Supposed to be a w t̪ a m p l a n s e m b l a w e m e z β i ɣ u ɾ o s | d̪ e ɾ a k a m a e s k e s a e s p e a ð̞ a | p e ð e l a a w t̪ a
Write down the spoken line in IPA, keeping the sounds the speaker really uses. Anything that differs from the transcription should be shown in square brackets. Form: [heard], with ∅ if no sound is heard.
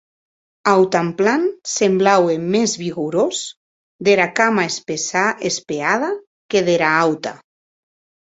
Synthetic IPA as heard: a w t̪ a m p l a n s e m b l a w e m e z β i ɣ u ɾ o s | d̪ e ɾ a k a m a e s [p] e s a e s p e a ð̞ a | [k] e ð e [ɾ] a a w t̪ a